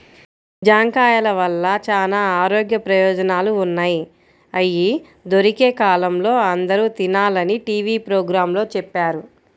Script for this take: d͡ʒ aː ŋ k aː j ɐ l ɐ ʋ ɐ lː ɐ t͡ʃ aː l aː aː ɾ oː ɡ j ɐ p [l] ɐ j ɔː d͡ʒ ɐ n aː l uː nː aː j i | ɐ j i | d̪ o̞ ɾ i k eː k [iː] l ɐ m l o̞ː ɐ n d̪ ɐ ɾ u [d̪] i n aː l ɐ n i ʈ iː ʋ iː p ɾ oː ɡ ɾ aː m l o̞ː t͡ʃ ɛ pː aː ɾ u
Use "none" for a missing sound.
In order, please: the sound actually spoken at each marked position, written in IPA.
ɾ, aː, t̪

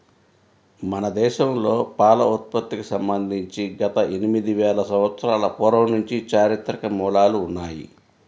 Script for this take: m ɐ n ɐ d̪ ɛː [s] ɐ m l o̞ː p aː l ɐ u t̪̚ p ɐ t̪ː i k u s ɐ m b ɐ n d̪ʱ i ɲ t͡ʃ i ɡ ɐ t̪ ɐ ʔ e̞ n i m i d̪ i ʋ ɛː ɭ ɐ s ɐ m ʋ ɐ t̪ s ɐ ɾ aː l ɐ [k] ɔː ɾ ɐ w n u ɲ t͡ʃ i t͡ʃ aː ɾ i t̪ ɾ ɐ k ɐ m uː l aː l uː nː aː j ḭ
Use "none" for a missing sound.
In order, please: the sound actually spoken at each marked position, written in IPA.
ʃ, p

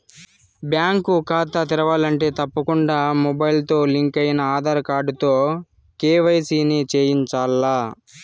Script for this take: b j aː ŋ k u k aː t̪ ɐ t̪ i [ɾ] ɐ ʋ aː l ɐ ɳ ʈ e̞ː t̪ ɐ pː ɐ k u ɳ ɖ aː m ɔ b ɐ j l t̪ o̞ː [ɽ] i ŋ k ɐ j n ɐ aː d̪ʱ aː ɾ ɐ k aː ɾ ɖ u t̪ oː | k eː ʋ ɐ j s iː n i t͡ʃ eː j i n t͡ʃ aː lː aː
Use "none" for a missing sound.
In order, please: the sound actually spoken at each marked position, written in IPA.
ɾ, l

